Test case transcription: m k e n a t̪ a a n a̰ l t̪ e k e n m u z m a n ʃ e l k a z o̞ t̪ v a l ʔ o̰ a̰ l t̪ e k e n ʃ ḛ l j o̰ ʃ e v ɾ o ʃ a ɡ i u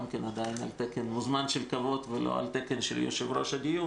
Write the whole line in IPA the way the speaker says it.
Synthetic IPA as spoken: m k e n a d̪ a i n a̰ l t̪ e k e n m u z m a n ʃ e l k a v o̞ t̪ v e l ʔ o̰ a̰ l t̪ e k e n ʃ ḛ l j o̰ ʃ e v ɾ o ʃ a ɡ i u